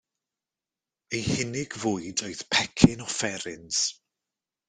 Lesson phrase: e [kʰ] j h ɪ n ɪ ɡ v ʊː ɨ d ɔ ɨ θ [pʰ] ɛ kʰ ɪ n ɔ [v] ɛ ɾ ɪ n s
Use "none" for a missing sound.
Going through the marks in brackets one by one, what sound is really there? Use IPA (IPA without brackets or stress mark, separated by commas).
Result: none, pʰ, f